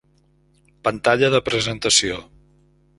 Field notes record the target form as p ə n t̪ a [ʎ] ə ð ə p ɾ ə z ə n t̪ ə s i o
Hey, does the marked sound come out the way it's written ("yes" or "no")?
yes